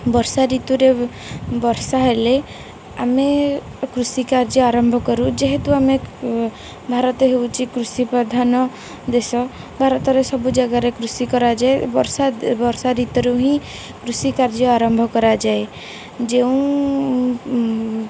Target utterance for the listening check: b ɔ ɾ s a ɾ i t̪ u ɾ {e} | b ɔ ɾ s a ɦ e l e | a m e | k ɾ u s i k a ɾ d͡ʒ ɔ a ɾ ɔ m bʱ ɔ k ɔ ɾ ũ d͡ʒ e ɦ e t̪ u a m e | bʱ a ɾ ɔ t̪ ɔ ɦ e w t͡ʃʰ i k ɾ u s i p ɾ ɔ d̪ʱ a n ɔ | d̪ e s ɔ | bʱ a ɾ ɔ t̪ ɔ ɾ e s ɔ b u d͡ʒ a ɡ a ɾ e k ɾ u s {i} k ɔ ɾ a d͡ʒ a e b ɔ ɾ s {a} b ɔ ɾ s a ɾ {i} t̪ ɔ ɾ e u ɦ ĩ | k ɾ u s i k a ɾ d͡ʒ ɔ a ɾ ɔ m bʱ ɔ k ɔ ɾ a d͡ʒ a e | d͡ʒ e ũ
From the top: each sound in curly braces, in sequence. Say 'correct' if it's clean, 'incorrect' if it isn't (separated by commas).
correct, correct, correct, correct